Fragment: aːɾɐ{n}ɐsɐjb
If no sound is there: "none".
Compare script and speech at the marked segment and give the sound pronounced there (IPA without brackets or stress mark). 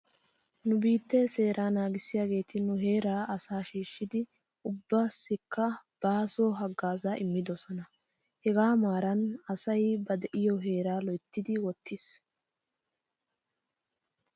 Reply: n